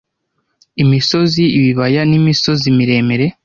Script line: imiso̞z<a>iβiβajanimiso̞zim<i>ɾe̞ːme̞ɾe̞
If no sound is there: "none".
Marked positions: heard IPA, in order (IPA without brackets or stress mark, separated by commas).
i, i